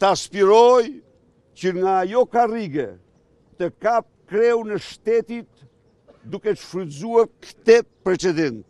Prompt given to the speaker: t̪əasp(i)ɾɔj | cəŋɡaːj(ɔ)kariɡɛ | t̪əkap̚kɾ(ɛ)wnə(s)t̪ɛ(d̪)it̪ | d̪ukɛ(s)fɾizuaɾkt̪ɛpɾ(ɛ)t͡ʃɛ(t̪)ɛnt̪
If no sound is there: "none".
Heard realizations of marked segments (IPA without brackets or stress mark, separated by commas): i, ɔ, ɛ, ʃ, t̪, ʃ, ɛ, d̪